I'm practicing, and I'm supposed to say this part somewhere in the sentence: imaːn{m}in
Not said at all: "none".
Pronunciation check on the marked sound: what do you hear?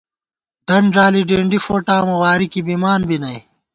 b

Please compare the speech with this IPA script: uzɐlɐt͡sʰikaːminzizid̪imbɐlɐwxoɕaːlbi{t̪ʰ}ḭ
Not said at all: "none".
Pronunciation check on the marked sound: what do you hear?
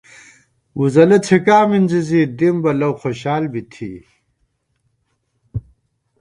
t̪ʰ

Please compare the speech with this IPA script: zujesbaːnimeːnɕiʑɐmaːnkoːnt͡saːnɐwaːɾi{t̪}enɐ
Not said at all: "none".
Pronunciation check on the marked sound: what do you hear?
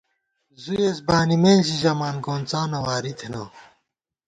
t̪ʰ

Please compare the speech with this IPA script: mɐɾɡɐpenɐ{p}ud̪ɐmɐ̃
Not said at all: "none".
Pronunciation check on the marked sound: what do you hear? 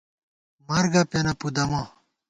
p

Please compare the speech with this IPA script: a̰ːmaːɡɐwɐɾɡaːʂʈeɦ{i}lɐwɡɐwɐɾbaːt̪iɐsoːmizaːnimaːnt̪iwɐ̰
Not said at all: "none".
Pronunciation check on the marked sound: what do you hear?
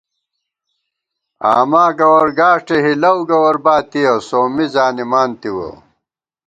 i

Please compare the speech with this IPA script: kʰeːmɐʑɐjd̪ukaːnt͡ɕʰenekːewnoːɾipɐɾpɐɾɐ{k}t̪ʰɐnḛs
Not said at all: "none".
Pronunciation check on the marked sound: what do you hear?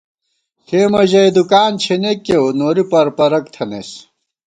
k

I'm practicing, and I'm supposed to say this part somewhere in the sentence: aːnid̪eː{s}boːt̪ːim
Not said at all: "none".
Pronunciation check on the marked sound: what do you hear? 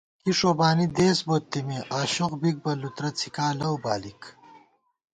s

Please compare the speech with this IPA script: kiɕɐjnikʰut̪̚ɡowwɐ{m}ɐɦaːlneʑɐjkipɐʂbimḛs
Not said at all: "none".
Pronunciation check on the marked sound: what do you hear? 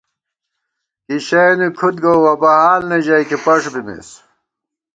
b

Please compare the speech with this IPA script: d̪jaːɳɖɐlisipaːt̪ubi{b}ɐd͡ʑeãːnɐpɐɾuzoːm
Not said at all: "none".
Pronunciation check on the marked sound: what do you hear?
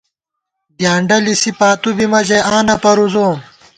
m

